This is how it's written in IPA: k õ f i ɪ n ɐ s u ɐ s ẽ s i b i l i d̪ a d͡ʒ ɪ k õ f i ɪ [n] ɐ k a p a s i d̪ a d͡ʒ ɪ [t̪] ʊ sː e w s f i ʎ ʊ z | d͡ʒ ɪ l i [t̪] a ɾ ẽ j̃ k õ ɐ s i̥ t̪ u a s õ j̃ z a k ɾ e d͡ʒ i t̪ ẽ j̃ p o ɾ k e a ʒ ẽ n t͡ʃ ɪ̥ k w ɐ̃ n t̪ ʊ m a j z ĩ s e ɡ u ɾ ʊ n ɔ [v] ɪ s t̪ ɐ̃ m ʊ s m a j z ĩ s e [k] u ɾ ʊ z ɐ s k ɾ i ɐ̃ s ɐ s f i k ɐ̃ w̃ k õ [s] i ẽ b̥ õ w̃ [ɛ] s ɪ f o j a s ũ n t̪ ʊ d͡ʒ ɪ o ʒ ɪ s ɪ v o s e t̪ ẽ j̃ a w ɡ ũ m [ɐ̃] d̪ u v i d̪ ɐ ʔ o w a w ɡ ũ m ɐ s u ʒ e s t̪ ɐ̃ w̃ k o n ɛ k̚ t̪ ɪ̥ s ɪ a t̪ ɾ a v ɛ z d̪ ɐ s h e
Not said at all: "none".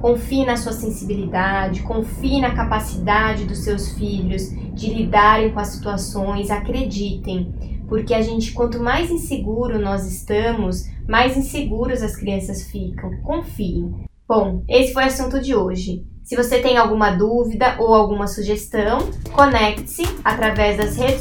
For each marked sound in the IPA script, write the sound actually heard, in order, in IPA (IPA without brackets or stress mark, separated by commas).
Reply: n, d̪, d̪, z, ɡ, f, e, ɐ